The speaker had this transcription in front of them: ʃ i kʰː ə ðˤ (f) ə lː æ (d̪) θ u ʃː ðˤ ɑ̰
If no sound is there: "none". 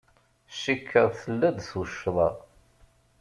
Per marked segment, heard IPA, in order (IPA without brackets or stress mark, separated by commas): θ, d̪